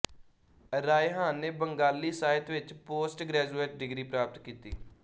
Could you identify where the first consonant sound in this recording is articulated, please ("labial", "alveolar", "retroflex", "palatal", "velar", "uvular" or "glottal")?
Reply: alveolar